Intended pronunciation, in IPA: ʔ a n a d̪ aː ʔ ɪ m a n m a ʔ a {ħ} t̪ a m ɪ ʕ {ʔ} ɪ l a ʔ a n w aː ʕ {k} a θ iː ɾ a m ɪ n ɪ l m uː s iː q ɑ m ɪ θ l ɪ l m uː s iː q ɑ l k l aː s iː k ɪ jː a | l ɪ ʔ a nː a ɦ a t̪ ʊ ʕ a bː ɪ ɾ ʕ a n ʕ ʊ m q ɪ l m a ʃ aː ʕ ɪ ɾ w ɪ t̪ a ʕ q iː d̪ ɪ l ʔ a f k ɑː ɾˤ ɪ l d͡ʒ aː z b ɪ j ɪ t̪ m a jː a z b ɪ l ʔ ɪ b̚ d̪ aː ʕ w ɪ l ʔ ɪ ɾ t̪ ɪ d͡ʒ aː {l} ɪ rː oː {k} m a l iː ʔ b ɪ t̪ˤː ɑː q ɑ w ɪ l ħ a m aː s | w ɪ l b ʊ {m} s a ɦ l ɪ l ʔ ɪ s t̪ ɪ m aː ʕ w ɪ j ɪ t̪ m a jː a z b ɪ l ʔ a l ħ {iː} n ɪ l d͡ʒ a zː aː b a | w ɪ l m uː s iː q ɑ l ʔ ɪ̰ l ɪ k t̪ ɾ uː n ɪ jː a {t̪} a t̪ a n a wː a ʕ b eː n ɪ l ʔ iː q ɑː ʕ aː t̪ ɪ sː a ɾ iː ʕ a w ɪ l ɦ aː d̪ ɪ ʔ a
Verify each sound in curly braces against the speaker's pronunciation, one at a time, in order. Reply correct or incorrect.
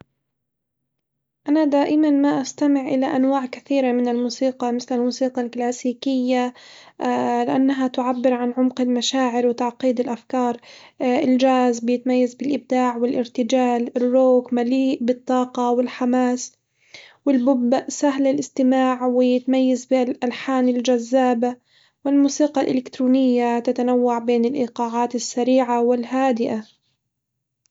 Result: incorrect: s, correct, correct, correct, correct, incorrect: b, incorrect: aː, correct

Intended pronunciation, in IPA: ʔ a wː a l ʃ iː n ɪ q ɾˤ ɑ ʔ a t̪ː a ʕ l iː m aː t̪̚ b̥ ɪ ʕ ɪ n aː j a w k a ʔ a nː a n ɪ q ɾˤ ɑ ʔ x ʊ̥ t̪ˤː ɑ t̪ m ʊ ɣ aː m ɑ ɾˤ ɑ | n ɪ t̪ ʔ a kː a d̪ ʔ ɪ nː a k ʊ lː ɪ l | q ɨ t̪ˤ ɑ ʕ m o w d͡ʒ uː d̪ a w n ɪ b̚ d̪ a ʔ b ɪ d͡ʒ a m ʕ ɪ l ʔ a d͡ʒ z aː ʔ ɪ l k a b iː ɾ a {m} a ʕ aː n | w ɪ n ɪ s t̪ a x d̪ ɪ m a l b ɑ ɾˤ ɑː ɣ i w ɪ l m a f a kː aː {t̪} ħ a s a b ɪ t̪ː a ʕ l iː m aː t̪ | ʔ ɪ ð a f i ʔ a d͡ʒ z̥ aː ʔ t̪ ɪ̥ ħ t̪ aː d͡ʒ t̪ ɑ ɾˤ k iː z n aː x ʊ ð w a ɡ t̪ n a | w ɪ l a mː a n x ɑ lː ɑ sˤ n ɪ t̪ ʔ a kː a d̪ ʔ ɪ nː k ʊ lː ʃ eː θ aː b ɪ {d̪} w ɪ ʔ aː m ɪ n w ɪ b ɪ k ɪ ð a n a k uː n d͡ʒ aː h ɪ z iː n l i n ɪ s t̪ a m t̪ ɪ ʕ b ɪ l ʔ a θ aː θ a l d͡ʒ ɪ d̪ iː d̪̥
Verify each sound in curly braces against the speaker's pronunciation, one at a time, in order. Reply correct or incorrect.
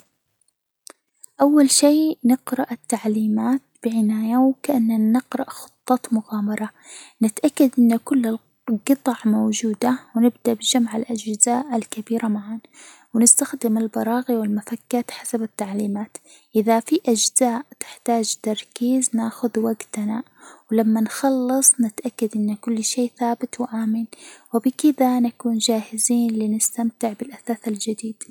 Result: correct, correct, incorrect: t̪

